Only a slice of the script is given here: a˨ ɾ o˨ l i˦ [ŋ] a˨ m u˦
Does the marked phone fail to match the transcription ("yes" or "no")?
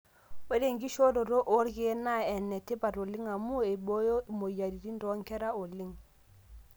no